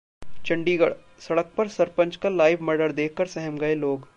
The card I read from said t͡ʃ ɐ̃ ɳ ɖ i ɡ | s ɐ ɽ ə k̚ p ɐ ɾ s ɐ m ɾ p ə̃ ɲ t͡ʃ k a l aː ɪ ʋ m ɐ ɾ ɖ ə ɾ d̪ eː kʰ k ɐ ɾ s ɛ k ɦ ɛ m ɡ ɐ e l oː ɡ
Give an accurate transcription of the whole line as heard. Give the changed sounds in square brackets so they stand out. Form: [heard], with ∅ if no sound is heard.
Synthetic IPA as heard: t͡ʃ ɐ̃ ɳ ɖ i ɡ | s ɐ ɽ ə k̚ p ɐ ɾ s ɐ [∅] ɾ p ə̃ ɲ t͡ʃ k a l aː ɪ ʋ m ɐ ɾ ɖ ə ɾ d̪ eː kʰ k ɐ ɾ s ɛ [∅] ɦ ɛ m ɡ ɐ e l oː ɡ